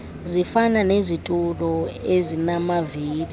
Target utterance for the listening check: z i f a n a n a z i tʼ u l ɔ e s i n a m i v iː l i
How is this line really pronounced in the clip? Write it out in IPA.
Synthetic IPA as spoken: z i f a n a n e z i tʼ u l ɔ e z i n a m a v iː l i